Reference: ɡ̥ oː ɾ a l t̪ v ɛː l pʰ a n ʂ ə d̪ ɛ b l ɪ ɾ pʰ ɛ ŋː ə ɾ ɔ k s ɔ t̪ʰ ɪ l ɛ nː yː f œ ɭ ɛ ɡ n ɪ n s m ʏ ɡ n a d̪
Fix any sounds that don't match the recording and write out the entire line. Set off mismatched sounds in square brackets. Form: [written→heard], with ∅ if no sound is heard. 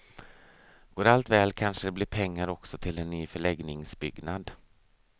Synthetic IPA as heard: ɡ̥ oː ɾ a l t̪ v ɛː l [pʰ→kʰ] a n ʂ ə d̪ ɛ b l ɪ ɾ pʰ ɛ ŋː [ə→a] ɾ ɔ k s ɔ t̪ʰ ɪ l ɛ nː yː f œ ɭ ɛ ɡ n ɪ [n→ŋ] s [m→b] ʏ ɡ n a d̪